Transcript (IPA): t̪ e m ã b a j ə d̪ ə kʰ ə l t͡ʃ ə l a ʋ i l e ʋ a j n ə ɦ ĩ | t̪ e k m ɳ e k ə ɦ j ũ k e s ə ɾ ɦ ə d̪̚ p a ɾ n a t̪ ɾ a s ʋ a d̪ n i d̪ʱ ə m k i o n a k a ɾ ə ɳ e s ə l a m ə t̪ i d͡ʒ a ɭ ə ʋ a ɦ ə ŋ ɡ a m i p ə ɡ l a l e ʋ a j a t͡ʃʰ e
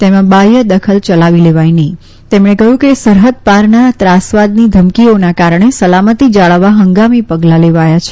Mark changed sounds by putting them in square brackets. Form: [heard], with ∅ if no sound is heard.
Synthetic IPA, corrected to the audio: t̪ e m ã b a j ə d̪ ə kʰ ə l t͡ʃ ə l a ʋ i l e ʋ a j n ə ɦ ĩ | t̪ e [∅] m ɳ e k ə ɦ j ũ k e s ə ɾ ɦ ə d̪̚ p a ɾ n a t̪ ɾ a s ʋ a d̪ n i d̪ʱ ə m k i o n a k a ɾ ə ɳ e s ə l a m ə t̪ i d͡ʒ a ɭ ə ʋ a ɦ ə ŋ ɡ a m i p ə ɡ l a l e ʋ a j a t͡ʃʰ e